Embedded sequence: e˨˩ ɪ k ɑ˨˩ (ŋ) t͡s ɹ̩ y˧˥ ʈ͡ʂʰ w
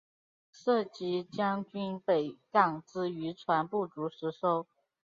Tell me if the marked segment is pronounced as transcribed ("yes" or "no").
yes